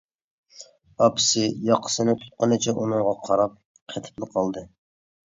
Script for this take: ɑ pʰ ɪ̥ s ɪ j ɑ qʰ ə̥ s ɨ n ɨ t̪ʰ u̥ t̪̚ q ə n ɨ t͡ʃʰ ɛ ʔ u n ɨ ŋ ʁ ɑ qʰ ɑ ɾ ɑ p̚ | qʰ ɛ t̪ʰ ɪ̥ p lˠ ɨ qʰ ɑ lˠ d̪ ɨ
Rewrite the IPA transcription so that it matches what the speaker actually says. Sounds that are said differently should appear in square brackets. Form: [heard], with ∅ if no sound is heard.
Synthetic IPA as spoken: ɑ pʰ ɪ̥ s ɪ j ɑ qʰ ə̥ s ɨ n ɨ t̪ʰ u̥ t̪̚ q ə n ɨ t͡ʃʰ ɛ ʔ u n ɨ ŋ ʁ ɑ qʰ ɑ ɾ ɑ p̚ | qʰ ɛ t̪ʰ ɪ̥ p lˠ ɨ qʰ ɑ lˠ d̪ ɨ

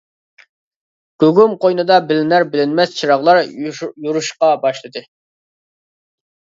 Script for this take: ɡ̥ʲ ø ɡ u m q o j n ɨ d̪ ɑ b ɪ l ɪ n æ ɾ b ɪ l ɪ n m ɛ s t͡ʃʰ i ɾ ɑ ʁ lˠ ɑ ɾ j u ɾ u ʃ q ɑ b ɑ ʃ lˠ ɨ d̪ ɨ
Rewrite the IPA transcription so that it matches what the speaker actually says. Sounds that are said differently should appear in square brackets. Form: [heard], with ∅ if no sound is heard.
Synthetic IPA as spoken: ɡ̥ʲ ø ɡ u m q o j n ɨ d̪ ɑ b ɪ l ɪ n æ ɾ b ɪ l ɪ n m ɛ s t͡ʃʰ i ɾ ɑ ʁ lˠ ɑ ɾ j u ɾ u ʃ q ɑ b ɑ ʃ lˠ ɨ d̪ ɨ

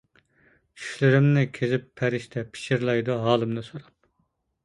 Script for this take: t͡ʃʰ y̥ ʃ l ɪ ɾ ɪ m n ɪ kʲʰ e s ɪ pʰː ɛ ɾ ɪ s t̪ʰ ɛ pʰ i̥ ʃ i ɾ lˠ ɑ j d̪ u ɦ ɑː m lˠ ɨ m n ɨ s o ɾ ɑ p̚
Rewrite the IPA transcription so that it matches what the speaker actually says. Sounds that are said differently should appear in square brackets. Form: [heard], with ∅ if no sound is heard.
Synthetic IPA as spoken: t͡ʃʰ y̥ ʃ l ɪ ɾ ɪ m n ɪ kʲʰ e [z] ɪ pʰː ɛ ɾ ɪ [ʃ] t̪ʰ ɛ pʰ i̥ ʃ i ɾ lˠ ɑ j d̪ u ɦ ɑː [∅] lˠ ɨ m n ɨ s o ɾ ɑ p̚

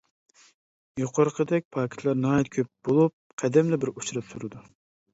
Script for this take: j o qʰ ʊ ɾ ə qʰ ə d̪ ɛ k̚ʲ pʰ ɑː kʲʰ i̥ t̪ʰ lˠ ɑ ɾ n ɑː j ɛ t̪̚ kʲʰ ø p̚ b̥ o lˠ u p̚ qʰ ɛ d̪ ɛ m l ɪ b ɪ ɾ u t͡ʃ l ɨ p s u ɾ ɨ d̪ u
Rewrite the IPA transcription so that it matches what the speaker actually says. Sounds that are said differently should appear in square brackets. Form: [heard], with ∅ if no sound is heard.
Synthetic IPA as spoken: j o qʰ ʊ ɾ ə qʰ ə d̪ ɛ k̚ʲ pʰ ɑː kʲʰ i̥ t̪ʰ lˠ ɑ ɾ n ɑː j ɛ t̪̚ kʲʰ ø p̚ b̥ o lˠ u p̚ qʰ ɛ d̪ ɛ m l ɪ b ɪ ɾ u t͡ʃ [ɾ] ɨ p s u ɾ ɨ d̪ u

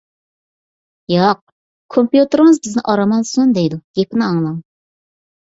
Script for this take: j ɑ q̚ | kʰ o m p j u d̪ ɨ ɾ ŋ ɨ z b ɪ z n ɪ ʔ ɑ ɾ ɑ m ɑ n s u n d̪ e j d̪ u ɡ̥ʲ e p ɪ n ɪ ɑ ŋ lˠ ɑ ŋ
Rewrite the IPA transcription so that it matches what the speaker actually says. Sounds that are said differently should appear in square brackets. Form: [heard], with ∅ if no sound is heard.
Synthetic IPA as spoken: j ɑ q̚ | kʰ o m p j u [t̪] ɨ ɾ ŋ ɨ z b ɪ z n ɪ ʔ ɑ ɾ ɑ m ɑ n s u n d̪ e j d̪ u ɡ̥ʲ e p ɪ n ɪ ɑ ŋ lˠ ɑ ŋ

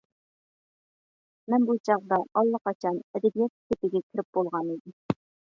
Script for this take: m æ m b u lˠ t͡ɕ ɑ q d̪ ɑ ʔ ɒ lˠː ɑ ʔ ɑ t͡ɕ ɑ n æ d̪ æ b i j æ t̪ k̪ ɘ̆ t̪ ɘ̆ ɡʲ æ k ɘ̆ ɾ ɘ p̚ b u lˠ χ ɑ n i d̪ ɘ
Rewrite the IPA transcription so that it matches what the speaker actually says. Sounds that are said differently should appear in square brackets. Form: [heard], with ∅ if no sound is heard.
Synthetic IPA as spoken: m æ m b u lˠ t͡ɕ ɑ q d̪ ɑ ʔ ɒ lˠː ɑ [q] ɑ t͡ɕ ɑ n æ d̪ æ b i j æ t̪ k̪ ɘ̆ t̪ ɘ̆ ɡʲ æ k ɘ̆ ɾ ɘ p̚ b u lˠ [ʁ] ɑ n i d̪ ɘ

